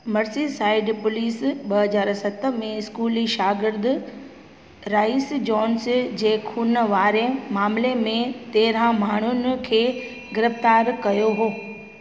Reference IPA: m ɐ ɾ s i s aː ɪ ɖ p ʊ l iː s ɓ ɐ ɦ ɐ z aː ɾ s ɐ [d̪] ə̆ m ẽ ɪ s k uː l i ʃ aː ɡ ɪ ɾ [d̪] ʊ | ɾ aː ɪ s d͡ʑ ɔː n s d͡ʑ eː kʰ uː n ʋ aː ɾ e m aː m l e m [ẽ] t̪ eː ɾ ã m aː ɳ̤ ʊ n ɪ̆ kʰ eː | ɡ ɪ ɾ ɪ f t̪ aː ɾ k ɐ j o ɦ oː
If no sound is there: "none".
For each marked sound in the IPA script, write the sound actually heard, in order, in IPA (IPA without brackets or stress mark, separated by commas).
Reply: t̪, d̪, ẽ